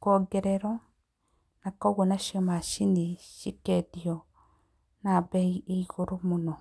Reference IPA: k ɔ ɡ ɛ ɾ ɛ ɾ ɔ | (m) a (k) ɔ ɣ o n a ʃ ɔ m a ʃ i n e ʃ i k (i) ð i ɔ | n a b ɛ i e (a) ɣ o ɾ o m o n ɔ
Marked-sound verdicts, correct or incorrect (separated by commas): incorrect, correct, incorrect, incorrect